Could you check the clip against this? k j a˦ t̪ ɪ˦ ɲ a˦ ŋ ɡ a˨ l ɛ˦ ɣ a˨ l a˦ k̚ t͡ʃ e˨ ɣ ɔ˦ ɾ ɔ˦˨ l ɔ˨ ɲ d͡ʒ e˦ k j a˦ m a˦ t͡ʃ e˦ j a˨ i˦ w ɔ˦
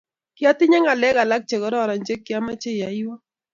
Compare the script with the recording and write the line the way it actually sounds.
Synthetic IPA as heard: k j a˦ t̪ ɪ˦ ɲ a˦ ŋ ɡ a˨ l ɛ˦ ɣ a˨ l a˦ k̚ t͡ʃ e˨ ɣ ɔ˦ ɾ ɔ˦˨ ɾ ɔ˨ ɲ d͡ʒ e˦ k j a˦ m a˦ t͡ʃ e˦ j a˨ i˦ w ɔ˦